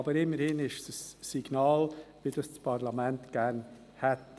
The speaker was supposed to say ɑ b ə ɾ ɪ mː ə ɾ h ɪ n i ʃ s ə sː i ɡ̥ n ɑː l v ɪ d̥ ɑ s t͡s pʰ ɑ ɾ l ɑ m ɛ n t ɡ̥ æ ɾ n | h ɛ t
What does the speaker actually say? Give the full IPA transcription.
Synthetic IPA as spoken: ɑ b ə ɾ ɪ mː ə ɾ h ɪ n ɪ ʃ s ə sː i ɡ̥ n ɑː l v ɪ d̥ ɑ s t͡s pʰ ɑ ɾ l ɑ m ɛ n t ɡ̥ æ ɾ n | h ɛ t